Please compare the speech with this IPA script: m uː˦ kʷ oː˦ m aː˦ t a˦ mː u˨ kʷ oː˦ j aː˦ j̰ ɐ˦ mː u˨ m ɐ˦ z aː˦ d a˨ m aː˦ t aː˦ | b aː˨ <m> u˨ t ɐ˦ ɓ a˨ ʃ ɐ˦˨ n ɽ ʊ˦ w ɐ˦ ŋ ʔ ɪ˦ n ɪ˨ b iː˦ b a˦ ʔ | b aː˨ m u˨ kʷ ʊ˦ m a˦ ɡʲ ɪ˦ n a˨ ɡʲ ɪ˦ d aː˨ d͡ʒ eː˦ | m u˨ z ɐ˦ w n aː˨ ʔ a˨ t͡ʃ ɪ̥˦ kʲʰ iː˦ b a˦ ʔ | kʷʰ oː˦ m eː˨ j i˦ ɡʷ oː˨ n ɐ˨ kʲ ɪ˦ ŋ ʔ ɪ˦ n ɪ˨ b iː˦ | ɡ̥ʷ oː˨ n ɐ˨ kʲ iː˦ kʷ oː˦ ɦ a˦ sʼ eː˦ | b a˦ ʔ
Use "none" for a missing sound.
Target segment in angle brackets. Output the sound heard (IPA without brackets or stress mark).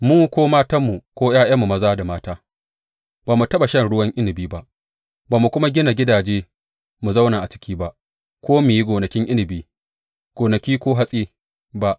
m